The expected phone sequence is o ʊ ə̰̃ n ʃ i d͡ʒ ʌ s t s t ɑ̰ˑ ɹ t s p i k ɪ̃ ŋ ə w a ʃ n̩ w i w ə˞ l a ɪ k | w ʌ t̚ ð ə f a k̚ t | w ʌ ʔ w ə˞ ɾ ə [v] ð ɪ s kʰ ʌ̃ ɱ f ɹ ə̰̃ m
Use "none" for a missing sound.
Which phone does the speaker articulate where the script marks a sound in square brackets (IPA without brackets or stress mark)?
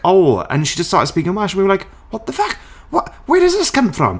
z